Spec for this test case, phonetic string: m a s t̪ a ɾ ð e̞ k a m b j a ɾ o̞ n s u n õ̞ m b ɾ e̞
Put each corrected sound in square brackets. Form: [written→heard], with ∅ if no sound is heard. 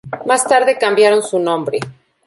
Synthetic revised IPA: m a s t̪ a ɾ ð e̞ k a m b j a ɾ o̞ n s u n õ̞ m b ɾ e̞